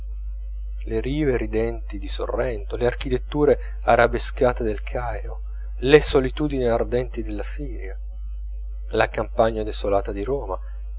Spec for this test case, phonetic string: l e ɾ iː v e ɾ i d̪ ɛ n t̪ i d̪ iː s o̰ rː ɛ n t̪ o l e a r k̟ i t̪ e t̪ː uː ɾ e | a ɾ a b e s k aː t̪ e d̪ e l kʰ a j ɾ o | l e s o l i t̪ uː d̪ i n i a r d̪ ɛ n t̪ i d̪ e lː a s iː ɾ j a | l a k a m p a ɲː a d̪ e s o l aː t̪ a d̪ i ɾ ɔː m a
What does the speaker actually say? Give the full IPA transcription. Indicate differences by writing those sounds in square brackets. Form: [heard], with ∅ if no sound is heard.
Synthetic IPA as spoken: l e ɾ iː v e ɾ i d̪ ɛ n t̪ i d̪ [i] s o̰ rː ɛ n t̪ o l e a r k̟ i t̪ e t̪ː uː ɾ e | a ɾ a b e s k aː t̪ e d̪ e l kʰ a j ɾ o | l e s o l i t̪ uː d̪ i n i a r d̪ ɛ n t̪ i d̪ e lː a s iː ɾ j a | l a k a m p a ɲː a d̪ e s o l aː t̪ a d̪ i ɾ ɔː m a